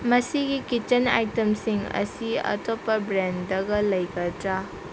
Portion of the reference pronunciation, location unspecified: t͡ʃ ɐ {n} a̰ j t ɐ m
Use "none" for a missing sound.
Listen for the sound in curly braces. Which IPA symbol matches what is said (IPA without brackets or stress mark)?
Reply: n